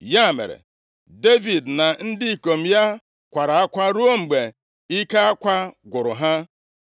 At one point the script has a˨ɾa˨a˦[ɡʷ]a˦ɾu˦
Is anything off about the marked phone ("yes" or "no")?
yes